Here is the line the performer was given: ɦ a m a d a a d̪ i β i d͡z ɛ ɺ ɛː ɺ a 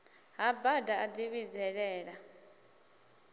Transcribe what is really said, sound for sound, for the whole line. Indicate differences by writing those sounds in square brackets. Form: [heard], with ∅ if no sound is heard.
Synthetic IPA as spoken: ɦ a [b] a d a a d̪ i β i d͡z ɛ ɺ ɛː ɺ a